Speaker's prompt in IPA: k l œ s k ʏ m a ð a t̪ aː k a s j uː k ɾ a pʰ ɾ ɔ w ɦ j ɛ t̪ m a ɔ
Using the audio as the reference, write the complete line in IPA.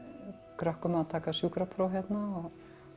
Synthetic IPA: k ɾ œ h k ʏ m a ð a t̪ʰ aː k a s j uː k ɾ a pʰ ɾ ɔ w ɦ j ɛ t̪ n a ɔ